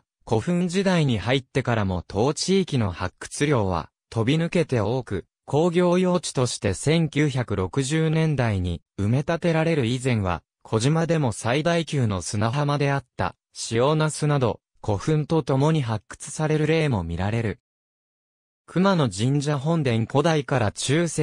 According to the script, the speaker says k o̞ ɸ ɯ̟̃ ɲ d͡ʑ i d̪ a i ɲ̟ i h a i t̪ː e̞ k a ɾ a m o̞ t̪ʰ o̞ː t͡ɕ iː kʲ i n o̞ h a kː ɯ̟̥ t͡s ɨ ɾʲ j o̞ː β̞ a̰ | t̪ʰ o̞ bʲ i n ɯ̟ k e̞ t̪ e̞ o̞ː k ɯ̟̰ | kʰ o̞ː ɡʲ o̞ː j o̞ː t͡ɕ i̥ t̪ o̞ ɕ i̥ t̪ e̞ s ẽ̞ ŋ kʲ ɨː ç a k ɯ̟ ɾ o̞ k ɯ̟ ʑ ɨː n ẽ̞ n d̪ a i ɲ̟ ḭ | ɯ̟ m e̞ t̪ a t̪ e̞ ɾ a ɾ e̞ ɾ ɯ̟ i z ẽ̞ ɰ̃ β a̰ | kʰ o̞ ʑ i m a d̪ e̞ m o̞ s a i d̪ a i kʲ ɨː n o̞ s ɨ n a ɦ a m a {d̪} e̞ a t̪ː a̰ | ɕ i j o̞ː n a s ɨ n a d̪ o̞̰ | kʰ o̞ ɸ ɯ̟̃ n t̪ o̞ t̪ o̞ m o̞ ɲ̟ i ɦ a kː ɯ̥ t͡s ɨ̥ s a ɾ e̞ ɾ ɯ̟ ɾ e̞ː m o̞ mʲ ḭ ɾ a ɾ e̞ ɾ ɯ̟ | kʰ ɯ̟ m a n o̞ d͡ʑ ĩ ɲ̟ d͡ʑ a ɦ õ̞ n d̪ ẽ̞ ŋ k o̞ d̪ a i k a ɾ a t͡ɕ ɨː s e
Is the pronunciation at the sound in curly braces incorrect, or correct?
correct